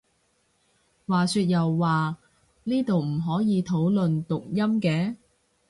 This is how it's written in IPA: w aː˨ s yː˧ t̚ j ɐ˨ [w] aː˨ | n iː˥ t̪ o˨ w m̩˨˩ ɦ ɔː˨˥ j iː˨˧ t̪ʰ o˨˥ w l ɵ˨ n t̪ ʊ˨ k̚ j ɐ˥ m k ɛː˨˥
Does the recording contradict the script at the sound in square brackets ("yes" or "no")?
yes